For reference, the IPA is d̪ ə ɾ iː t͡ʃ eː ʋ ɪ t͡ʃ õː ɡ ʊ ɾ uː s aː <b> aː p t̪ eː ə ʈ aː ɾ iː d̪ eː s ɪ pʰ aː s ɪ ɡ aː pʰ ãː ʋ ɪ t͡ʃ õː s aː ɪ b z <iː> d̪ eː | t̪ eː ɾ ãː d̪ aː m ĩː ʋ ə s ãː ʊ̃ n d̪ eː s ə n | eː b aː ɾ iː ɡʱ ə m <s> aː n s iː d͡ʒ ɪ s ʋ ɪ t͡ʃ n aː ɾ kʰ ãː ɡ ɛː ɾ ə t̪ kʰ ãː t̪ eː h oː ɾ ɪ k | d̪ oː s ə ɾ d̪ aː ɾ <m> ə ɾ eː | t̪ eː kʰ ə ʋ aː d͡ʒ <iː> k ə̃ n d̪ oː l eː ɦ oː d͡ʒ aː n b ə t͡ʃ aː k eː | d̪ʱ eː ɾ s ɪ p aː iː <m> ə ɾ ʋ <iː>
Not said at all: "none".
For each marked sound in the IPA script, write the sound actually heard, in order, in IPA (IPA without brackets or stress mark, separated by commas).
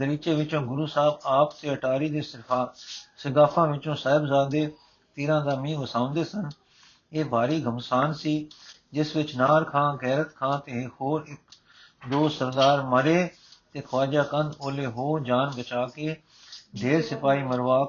b, aː, s, m, aː, m, aː